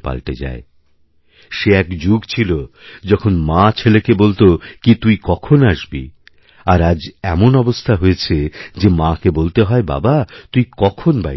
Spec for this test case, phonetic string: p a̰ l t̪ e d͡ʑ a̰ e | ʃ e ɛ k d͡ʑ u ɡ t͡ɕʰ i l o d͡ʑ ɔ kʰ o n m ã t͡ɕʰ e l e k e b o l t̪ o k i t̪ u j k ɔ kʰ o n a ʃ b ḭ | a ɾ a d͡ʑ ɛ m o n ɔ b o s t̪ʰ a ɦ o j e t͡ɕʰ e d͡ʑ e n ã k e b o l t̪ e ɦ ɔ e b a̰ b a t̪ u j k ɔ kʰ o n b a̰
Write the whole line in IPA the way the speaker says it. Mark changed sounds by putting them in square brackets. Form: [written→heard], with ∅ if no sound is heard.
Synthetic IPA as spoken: p a̰ l t̪ e d͡ʑ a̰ e | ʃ e ɛ k d͡ʑ u ɡ t͡ɕʰ i l o d͡ʑ ɔ kʰ o n m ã t͡ɕʰ e l e k e b o l t̪ o k i t̪ u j k ɔ kʰ o n a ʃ b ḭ | a ɾ a d͡ʑ ɛ m o n ɔ b o s t̪ʰ a ɦ o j e t͡ɕʰ e d͡ʑ e [n→m] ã k e b o l t̪ e ɦ ɔ e b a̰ b a t̪ u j k ɔ kʰ o n b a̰